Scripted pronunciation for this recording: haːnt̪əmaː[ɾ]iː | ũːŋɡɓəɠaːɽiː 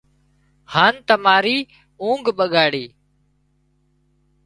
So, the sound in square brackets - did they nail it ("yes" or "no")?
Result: yes